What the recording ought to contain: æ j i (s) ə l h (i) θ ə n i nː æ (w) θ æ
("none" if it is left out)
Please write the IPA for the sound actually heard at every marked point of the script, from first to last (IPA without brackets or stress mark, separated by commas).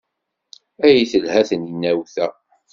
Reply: θ, æ, w